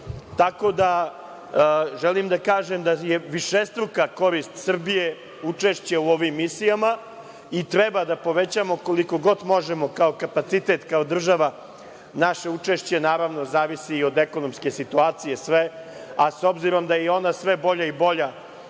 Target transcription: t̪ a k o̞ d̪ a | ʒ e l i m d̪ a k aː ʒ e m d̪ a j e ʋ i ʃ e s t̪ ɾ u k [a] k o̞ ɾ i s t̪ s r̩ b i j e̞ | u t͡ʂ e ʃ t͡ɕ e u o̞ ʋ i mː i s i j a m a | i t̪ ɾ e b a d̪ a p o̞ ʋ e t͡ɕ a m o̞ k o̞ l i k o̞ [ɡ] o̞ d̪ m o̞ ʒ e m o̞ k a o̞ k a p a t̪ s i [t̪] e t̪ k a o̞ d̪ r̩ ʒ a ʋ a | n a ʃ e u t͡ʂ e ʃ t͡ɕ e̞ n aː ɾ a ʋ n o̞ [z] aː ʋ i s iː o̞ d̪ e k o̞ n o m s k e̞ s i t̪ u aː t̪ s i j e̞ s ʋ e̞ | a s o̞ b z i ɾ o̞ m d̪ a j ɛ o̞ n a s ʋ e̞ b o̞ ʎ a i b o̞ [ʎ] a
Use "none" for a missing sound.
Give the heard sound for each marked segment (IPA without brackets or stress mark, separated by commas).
a, ɡ, t̪, z, ʎ